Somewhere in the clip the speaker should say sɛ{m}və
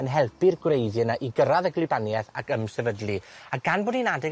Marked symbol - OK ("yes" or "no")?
no